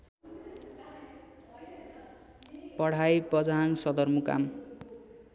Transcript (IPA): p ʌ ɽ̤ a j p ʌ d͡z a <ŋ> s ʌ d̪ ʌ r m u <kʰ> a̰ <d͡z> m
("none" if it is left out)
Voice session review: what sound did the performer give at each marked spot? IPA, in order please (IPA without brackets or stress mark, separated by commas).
ŋ, k, none